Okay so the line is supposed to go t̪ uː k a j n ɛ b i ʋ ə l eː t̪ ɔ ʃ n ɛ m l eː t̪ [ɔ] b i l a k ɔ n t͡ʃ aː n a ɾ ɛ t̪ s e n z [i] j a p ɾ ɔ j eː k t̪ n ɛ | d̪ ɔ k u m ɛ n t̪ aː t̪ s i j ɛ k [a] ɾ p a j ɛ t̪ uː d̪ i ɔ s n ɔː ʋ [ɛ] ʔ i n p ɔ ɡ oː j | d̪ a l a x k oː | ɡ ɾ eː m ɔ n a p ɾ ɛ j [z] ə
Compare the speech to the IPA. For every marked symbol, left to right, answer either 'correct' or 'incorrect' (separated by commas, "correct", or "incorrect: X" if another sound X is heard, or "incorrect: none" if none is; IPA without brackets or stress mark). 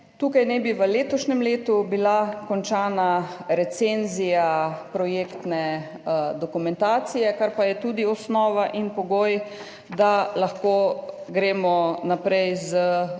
incorrect: u, correct, correct, incorrect: a, correct